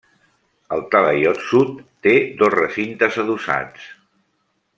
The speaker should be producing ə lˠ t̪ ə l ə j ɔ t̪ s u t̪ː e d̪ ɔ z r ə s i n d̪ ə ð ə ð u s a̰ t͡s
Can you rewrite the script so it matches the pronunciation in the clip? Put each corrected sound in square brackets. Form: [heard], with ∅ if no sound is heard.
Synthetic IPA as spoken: ə lˠ t̪ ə l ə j ɔ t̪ s u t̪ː e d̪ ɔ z r ə s i n [t̪] ə [z] ə ð u s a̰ t͡s